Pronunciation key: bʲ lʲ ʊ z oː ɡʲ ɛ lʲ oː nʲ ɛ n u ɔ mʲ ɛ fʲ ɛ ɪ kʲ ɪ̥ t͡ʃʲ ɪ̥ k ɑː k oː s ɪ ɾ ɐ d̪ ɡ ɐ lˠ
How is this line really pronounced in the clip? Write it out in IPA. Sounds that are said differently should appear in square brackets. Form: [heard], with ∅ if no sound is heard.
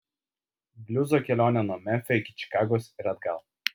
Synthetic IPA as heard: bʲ lʲ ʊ z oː [kʲ] ɛ lʲ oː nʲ ɛ n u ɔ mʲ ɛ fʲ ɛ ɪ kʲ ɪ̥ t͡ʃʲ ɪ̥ k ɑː [ɡ] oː s ɪ ɾ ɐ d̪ ɡ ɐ lˠ